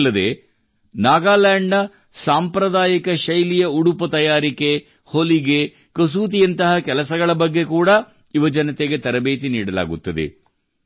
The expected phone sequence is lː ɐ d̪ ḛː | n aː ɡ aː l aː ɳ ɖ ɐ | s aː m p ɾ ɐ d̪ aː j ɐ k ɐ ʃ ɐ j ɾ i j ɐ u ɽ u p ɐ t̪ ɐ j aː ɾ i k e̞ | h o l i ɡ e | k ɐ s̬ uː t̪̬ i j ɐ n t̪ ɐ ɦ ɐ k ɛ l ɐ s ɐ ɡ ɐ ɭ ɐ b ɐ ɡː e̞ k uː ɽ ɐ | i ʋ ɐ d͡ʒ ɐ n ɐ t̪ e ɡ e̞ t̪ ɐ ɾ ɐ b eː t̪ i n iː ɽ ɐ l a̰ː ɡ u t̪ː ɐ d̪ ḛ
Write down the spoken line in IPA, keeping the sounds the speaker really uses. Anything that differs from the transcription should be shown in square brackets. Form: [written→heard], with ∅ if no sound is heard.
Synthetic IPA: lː ɐ d̪ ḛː | n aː ɡ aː l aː ɳ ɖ ɐ | s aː m p ɾ ɐ d̪ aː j ɐ k ɐ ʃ ɐ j [ɾ→l] i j ɐ u ɽ u p ɐ t̪ ɐ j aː ɾ i k e̞ | h o l i ɡ e | k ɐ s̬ uː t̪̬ i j ɐ n t̪ ɐ ɦ ɐ k ɛ l ɐ s ɐ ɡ ɐ ɭ ɐ b ɐ ɡː e̞ k uː ɽ ɐ | i ʋ ɐ d͡ʒ ɐ n ɐ t̪ e ɡ e̞ t̪ ɐ ɾ ɐ b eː t̪ i n iː ɽ ɐ l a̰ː ɡ u t̪ː ɐ d̪ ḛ